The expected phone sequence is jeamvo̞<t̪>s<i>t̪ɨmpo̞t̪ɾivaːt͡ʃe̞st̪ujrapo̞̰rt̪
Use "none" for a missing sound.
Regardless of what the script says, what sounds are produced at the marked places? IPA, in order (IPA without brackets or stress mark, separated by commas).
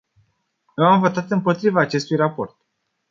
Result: t̪, a